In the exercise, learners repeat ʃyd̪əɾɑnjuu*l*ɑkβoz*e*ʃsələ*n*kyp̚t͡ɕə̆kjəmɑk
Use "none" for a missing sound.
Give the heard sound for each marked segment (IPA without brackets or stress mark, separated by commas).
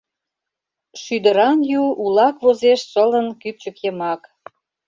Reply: l, e, n